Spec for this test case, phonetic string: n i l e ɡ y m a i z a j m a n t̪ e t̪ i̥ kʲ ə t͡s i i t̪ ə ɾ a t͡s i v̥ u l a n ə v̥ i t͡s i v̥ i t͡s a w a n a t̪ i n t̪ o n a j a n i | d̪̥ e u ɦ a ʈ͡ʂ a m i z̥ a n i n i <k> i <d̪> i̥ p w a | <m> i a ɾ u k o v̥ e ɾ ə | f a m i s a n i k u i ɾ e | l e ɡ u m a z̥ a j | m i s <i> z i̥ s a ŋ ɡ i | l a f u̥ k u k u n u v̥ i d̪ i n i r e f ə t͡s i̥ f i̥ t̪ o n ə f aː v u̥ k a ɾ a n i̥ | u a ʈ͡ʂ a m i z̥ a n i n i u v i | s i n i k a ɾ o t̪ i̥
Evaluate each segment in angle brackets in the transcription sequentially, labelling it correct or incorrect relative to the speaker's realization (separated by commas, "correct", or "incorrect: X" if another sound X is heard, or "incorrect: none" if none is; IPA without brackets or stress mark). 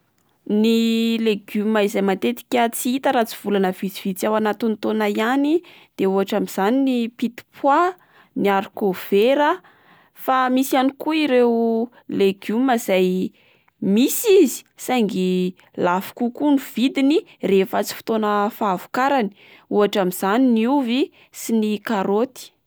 incorrect: p, incorrect: t̪, incorrect: n, correct